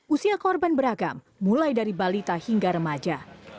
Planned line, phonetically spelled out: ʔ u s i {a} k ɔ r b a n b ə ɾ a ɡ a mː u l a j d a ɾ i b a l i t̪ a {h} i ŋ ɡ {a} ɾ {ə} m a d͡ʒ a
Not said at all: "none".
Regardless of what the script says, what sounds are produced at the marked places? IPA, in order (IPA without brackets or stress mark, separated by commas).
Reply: a, h, a, ə